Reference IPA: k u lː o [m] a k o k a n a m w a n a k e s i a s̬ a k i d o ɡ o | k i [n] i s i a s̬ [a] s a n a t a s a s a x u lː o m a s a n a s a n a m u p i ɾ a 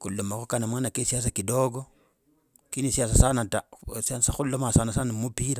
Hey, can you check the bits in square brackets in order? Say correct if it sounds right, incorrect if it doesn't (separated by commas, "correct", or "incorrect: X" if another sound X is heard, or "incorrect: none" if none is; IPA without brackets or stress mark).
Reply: correct, correct, correct